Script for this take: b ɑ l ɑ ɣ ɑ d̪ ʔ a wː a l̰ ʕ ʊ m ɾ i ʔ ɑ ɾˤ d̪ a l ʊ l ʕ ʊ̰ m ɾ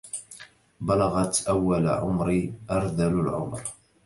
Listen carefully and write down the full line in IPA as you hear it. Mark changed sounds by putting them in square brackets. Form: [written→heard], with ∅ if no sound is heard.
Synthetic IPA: b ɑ l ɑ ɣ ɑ [d̪→t̪] ʔ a wː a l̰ ʕ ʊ m ɾ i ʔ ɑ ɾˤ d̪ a l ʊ l ʕ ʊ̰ m ɾ